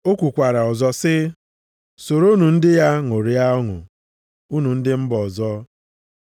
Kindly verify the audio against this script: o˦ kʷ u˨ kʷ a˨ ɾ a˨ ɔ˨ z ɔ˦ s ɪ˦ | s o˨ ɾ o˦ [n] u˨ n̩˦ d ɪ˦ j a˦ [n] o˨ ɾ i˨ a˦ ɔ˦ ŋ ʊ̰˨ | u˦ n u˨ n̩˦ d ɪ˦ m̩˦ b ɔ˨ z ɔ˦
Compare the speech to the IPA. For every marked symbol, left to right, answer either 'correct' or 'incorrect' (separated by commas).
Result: correct, incorrect